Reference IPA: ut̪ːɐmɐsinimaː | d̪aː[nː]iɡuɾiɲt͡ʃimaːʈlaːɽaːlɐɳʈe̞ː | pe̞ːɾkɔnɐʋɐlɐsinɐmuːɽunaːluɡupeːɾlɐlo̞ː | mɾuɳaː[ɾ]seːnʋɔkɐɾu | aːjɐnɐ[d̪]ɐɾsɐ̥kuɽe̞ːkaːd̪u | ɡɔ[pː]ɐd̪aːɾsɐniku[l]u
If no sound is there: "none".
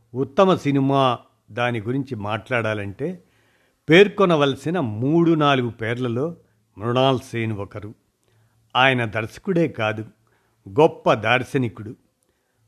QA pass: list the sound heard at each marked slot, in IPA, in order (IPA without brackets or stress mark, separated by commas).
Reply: n, l, d̪, pː, ɽ